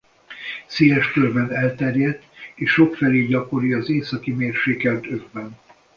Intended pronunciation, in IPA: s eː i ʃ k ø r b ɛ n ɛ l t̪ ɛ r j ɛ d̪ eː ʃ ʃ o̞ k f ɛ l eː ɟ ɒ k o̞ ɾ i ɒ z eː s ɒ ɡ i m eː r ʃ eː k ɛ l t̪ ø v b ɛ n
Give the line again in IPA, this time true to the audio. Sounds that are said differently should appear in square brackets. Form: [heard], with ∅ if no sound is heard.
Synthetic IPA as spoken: s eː [ɛ] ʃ k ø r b ɛ n ɛ l t̪ ɛ r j ɛ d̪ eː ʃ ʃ o̞ k f ɛ l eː ɟ ɒ k o̞ ɾ i ɒ z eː s ɒ [k] i m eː r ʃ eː k ɛ l t̪ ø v b ɛ n